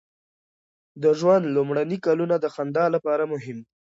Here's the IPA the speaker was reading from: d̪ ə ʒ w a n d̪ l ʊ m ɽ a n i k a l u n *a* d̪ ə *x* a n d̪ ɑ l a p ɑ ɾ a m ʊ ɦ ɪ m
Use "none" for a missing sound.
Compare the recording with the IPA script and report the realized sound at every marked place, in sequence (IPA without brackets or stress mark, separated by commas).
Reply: a, x